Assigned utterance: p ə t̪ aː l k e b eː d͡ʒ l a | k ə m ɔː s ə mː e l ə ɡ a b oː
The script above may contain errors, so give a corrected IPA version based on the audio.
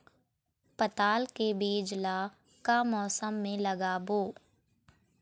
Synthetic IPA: p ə t̪ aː l k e b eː d͡ʒ l a | k a m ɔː s ə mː ẽ l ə ɡ a b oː